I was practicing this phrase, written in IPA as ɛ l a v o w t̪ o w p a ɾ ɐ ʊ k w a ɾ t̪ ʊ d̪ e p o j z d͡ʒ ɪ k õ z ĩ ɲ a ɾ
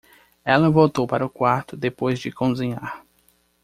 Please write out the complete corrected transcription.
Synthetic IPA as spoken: ɛ l ɐ v o w t̪ o w p a ɾ ɐ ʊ k w a ɾ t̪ ʊ d̪ e p o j z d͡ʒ ɪ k õ z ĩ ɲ a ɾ